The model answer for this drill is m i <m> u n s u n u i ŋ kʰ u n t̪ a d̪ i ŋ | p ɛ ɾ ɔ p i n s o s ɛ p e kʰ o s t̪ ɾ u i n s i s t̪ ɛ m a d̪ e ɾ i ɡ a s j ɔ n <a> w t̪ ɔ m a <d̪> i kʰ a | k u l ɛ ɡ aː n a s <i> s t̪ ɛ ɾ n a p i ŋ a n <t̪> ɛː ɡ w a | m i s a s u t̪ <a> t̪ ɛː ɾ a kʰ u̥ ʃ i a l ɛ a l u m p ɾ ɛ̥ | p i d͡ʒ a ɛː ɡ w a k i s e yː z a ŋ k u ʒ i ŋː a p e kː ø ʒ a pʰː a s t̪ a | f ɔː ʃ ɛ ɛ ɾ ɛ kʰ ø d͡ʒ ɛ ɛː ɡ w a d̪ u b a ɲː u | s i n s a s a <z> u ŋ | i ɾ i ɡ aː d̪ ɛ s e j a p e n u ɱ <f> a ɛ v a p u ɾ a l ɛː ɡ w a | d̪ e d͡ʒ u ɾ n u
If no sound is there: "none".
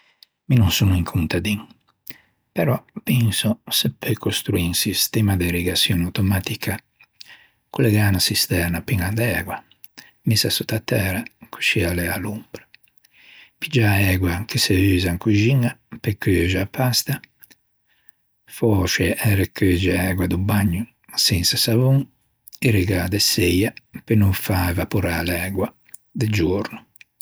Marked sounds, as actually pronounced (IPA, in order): n, a, t̪, i, d̪, a, v, f

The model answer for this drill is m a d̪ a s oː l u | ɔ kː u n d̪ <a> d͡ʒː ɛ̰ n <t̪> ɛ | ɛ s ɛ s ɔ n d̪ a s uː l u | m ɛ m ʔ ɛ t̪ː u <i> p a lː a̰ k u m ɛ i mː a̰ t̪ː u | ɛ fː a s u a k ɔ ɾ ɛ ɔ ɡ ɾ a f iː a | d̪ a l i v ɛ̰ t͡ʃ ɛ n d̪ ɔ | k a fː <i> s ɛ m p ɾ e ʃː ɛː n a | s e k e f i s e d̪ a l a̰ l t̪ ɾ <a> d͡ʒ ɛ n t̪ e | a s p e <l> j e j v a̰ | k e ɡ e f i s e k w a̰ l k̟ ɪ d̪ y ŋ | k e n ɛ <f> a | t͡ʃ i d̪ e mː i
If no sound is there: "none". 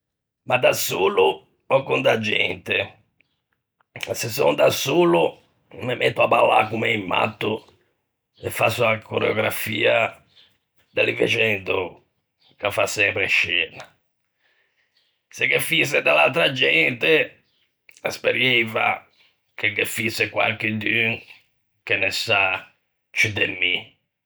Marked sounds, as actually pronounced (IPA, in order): a, t̪, a, a, a, ɾ, s

